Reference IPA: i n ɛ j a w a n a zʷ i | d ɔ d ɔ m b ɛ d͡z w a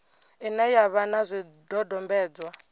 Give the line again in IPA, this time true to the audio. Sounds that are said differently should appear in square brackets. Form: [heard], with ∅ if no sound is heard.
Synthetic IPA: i n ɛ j a [β] a n a zʷ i | d ɔ d ɔ m b [ɛː] d͡z w a